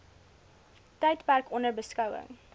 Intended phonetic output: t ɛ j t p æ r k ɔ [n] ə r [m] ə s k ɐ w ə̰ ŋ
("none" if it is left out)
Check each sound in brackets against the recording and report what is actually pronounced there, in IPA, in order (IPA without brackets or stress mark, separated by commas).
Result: n, b